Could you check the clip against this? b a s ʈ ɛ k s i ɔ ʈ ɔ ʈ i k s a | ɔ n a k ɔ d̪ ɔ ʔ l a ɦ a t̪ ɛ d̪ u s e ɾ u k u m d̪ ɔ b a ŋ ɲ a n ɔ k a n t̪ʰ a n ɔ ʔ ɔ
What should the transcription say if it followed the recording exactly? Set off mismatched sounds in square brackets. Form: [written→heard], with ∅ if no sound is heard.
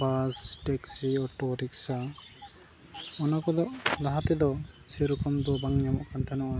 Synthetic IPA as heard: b a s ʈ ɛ k s i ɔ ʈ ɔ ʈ i k s a | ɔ n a k ɔ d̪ ɔ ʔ l a ɦ a t̪ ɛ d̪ [u→ɔ] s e ɾ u k [u→ɔ] m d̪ ɔ b a ŋ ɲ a [n→m] ɔ k a n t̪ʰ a n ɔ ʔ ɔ